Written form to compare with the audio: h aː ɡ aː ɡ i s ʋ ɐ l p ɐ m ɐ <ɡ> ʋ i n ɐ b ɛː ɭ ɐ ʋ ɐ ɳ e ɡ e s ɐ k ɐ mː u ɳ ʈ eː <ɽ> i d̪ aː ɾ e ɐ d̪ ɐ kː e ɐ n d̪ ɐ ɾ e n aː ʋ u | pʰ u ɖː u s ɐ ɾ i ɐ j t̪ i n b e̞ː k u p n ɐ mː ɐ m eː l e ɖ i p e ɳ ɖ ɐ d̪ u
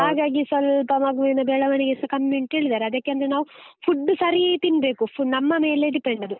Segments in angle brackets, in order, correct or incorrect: correct, incorrect

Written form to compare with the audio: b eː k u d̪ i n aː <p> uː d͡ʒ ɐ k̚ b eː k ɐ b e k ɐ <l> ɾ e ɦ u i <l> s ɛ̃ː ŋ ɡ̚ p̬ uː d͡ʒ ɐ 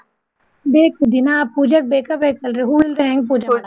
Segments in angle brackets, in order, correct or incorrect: correct, correct, correct

